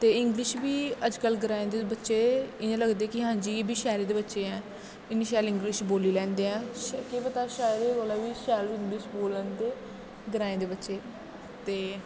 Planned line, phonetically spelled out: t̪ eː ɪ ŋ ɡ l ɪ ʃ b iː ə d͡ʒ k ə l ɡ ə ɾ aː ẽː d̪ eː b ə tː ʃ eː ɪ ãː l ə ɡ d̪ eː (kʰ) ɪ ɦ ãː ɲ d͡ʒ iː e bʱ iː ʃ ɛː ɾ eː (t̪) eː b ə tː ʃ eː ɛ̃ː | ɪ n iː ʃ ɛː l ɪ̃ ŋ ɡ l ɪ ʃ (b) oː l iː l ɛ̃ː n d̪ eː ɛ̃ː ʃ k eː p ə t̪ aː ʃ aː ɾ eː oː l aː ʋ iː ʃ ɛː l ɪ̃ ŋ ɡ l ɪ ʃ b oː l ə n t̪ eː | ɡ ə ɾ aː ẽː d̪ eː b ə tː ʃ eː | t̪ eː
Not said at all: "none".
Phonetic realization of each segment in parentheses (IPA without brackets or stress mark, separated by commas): k, d̪, b